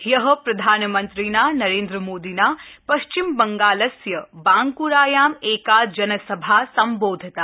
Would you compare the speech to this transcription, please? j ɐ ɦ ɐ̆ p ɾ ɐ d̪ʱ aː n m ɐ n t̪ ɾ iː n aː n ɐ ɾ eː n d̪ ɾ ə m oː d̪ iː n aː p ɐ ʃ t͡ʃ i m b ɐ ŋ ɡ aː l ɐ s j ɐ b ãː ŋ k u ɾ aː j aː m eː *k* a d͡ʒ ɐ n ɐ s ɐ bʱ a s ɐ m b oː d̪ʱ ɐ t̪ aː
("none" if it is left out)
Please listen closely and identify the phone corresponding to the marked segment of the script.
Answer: k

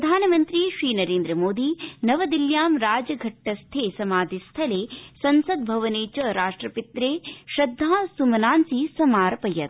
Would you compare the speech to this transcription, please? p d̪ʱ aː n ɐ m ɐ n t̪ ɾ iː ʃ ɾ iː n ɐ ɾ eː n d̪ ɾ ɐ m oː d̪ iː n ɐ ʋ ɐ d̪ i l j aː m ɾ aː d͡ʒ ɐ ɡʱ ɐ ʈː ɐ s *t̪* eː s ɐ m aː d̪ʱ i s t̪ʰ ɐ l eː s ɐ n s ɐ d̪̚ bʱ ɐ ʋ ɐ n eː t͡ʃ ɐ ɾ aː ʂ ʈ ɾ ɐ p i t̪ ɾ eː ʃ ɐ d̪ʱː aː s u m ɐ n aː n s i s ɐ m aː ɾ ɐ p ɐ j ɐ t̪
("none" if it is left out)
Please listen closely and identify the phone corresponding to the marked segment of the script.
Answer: t̪ʰ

